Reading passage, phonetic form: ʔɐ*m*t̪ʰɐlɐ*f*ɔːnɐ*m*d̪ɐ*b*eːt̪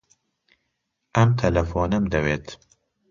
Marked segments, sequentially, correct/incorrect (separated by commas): correct, correct, correct, incorrect